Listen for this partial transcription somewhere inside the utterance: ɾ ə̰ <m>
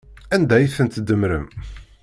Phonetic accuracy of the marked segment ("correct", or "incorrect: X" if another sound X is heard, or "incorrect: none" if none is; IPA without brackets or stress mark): correct